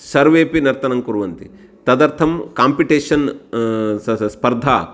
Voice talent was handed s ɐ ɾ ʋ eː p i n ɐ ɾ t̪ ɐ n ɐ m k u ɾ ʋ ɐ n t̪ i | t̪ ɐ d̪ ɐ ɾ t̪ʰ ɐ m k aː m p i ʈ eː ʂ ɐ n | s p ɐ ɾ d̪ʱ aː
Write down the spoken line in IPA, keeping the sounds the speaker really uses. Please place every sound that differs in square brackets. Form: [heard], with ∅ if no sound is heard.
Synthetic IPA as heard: s ɐ ɾ ʋ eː p i n ɐ ɾ t̪ ɐ n ɐ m k u ɾ ʋ ɐ n t̪ i | t̪ ɐ d̪ ɐ ɾ t̪ʰ ɐ m k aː m p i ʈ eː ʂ ɐ n | s p ɐ ɾ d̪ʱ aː